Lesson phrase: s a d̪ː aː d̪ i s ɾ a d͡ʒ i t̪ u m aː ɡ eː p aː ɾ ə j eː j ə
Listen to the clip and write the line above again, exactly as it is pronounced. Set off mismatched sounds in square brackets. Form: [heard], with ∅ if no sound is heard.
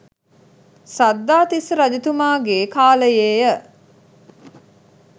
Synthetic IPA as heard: s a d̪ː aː [t̪] i s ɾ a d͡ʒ i t̪ u m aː ɡ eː [k] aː [l] ə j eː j ə